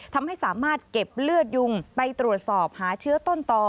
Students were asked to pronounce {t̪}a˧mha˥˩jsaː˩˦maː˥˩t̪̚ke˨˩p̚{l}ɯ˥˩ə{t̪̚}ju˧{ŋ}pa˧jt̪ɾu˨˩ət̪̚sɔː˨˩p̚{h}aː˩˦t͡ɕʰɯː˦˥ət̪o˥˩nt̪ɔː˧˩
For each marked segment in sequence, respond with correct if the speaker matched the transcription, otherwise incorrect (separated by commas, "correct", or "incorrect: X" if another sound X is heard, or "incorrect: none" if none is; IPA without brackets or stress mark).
incorrect: t̪ʰ, correct, correct, correct, correct